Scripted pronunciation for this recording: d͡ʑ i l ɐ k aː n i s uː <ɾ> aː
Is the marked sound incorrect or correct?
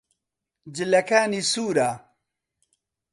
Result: correct